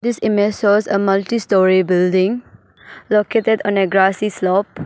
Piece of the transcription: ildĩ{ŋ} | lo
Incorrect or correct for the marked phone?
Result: correct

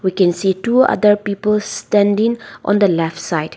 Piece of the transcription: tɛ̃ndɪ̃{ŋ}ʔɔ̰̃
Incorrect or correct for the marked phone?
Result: correct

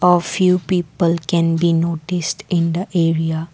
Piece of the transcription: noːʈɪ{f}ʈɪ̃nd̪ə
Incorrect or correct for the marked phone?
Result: incorrect: s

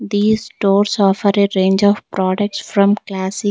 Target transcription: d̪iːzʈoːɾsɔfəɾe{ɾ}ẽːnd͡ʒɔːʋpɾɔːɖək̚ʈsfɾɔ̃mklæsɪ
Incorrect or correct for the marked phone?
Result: correct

